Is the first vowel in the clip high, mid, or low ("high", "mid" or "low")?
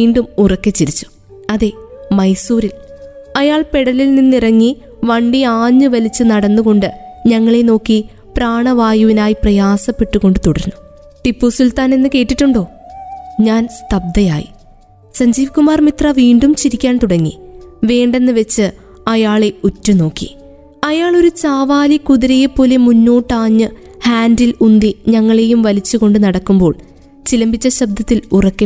high